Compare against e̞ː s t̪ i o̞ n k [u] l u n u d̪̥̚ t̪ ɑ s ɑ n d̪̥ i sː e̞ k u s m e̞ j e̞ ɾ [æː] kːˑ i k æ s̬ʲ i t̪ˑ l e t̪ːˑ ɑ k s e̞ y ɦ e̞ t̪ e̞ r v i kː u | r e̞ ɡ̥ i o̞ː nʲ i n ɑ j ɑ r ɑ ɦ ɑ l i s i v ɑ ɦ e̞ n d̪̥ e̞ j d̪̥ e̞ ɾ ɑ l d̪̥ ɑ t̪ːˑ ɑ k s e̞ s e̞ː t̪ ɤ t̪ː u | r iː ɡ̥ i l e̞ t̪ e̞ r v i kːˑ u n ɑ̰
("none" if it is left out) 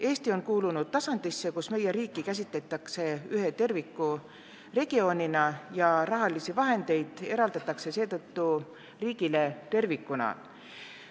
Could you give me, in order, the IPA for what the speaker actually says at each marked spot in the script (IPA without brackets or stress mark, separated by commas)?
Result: uː, iː